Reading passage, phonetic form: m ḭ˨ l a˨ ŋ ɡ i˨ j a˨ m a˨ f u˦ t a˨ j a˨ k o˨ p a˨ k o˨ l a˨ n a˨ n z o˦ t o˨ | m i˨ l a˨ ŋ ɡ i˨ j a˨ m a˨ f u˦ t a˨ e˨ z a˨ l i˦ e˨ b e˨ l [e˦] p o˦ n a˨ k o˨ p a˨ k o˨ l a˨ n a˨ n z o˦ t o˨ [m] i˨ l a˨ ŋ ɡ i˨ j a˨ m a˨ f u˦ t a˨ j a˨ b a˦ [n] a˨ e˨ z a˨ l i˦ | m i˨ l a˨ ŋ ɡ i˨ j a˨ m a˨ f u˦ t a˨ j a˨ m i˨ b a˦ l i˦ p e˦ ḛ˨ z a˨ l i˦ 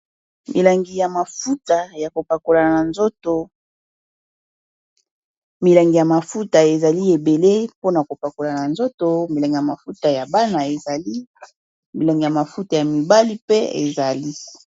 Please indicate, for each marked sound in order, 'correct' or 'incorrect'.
correct, correct, correct

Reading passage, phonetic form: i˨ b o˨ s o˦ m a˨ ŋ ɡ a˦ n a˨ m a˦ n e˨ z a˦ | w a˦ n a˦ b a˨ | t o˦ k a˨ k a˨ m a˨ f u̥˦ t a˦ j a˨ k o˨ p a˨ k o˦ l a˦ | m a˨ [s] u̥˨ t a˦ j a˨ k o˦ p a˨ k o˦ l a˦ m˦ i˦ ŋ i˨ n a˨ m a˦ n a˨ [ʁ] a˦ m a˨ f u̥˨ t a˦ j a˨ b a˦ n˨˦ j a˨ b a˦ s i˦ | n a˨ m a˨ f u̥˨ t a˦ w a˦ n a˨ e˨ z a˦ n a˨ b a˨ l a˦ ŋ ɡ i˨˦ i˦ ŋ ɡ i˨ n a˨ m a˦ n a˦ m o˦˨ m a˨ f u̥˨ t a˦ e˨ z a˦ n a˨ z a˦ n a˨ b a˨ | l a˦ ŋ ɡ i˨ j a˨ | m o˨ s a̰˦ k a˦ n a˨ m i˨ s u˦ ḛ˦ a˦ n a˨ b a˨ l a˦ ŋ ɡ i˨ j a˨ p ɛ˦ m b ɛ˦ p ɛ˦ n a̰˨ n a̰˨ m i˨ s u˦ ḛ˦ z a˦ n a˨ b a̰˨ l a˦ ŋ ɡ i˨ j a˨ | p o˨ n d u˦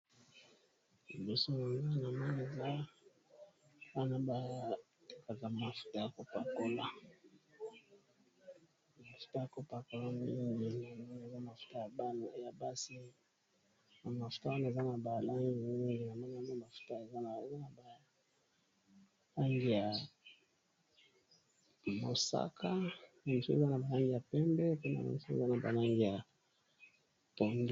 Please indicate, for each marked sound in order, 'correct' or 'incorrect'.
incorrect: f, incorrect: z

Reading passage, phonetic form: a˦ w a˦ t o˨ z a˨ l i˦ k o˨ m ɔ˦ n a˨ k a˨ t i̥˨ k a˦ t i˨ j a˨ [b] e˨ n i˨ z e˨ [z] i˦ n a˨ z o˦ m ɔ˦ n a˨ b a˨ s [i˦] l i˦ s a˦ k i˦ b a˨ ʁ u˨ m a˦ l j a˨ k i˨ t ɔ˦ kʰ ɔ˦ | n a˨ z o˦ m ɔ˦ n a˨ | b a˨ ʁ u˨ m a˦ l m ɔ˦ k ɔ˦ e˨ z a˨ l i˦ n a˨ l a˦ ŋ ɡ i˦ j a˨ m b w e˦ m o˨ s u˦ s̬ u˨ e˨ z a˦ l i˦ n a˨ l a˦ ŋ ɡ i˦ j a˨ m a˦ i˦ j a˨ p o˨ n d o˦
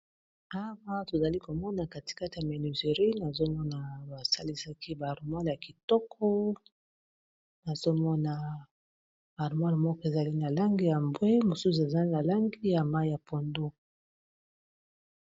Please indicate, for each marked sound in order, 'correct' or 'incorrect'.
incorrect: m, incorrect: ʁ, incorrect: a˦

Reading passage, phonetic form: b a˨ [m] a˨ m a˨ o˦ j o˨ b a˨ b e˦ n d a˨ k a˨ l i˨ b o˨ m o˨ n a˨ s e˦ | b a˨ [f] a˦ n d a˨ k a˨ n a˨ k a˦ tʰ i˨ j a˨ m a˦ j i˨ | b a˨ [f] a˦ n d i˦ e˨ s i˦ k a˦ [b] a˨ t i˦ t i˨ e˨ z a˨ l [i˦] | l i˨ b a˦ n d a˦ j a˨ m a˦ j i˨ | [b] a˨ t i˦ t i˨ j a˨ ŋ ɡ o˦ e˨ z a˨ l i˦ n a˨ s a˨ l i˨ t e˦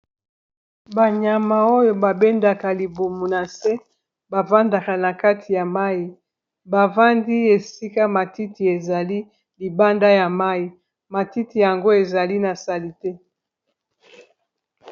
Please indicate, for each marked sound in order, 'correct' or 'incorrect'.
incorrect: ɲ, incorrect: v, incorrect: v, incorrect: m, correct, incorrect: m

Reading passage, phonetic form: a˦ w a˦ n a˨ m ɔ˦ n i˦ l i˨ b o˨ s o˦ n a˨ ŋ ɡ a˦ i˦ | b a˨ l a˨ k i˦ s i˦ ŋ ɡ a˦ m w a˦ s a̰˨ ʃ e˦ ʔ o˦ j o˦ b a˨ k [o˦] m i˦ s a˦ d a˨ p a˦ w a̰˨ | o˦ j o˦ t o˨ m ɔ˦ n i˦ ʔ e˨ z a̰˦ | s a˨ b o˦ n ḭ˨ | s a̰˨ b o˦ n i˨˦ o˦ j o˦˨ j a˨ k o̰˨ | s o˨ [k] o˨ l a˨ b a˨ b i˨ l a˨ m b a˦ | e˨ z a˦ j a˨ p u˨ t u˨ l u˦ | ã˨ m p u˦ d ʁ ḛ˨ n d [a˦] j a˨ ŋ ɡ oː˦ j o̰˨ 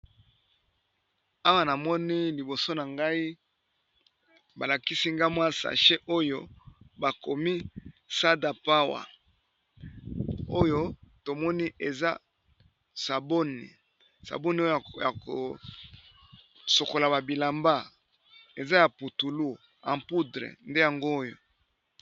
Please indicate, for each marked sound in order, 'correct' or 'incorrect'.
incorrect: o˨, correct, incorrect: e˦

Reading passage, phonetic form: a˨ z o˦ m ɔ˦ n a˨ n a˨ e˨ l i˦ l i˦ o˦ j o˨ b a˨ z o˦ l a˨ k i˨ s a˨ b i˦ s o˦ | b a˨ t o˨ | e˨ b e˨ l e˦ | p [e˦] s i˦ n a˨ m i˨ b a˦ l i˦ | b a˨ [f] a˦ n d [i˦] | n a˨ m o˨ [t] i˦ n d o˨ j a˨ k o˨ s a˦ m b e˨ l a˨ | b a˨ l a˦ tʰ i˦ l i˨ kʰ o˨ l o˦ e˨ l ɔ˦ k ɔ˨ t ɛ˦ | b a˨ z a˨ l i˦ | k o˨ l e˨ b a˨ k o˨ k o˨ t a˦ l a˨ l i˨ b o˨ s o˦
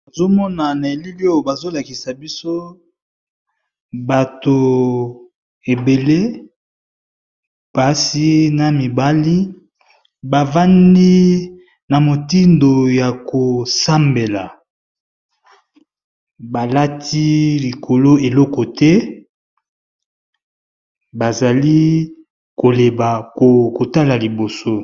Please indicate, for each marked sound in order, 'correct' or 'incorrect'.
incorrect: a˦, incorrect: v, correct, correct

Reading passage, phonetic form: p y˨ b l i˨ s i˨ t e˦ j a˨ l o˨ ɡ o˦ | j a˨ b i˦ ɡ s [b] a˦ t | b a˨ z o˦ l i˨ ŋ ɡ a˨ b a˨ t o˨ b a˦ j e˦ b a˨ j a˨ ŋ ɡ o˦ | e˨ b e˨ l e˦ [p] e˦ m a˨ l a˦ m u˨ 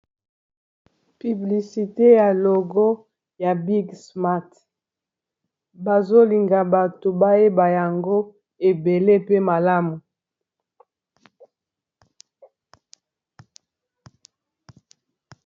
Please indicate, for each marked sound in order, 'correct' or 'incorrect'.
incorrect: m, correct

